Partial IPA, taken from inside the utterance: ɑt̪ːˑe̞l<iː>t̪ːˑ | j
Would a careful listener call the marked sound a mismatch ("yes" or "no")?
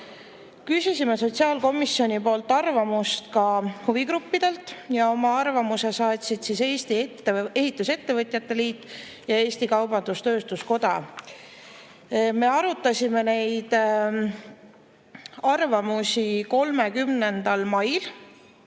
no